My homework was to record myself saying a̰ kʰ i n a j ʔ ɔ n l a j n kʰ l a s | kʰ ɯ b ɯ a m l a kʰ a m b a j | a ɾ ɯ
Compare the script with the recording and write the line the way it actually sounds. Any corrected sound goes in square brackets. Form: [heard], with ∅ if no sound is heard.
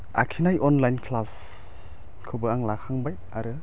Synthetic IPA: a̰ kʰ i n a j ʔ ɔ n l a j n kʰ l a s | kʰ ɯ b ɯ a [ŋ] l a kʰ a [ŋ] b a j | a ɾ ɯ